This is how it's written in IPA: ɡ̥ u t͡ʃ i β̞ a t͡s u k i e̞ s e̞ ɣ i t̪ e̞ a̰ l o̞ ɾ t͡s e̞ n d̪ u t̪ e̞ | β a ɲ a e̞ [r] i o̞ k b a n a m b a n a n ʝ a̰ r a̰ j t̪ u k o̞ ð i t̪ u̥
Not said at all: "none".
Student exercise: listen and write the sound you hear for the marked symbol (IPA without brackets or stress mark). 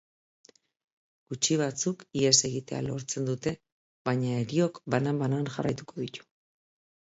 ɾ